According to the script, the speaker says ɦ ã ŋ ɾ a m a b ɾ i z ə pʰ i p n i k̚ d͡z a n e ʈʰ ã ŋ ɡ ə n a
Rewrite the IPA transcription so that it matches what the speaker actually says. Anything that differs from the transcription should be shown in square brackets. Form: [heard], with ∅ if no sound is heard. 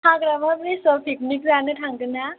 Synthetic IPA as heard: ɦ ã [ɡ] ɾ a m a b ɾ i [s] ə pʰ i [k] n i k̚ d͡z a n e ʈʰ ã ŋ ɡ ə n a